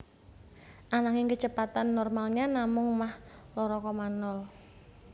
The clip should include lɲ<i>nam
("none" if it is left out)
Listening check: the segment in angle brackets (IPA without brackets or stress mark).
a